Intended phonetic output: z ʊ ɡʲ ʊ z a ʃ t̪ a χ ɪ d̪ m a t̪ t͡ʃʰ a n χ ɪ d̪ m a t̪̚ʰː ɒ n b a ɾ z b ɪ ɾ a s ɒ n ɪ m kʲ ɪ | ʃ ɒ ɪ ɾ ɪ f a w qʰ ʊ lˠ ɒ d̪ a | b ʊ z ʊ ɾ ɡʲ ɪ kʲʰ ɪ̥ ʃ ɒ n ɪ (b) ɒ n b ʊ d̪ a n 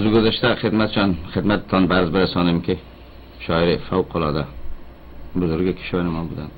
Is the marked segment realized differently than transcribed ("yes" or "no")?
yes